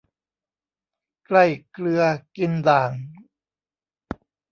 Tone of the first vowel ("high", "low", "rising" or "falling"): falling